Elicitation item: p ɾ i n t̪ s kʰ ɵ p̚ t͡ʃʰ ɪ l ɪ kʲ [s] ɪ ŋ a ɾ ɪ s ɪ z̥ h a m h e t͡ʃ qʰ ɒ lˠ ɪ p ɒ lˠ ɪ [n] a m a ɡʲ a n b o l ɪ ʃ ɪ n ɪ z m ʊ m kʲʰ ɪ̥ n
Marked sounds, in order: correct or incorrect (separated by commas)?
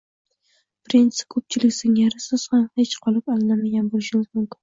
correct, correct